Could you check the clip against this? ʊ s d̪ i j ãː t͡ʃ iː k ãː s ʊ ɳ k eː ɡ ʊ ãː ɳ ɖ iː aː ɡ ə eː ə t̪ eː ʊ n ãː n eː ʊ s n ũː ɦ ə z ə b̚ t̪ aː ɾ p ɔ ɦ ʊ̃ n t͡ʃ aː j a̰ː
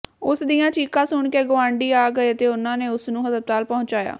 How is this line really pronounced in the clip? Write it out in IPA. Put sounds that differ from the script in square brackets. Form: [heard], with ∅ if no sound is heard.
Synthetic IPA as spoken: ʊ s d̪ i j ãː t͡ʃ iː k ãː s ʊ ɳ k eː ɡ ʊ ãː ɳ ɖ iː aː ɡ ə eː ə t̪ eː ʊ n ãː n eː ʊ s n ũː ɦ ə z ə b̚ t̪ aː [l] p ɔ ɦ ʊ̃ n t͡ʃ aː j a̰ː